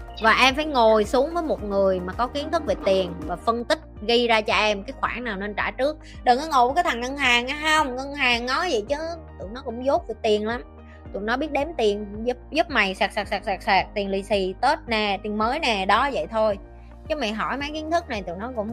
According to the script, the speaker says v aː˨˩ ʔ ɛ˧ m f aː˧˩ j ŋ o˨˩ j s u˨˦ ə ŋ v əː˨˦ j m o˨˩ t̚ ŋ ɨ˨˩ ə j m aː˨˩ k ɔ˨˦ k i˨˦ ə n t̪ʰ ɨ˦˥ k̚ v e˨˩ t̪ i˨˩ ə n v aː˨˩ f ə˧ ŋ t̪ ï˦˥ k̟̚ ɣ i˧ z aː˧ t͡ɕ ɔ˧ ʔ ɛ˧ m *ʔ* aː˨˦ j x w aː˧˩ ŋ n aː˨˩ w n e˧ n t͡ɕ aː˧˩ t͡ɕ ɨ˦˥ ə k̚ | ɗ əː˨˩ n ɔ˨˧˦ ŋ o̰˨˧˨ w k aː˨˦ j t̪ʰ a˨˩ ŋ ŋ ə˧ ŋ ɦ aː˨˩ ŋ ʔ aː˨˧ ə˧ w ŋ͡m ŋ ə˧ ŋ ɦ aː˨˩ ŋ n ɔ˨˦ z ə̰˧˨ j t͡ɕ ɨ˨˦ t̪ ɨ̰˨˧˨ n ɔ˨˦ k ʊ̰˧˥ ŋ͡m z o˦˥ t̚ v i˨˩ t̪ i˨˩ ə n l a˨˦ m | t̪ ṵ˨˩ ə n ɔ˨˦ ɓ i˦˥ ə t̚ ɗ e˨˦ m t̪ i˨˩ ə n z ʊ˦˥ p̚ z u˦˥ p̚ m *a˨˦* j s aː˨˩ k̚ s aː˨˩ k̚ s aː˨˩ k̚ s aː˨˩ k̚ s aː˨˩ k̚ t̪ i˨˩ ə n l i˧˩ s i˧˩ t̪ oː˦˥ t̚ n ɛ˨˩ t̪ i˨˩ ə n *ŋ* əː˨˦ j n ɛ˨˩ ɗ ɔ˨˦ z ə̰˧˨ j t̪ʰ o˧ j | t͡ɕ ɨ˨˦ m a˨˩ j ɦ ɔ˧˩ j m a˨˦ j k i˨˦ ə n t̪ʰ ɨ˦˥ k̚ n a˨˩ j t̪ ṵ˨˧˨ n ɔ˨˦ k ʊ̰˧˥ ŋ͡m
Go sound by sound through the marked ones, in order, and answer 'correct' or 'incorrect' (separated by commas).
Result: incorrect, incorrect, incorrect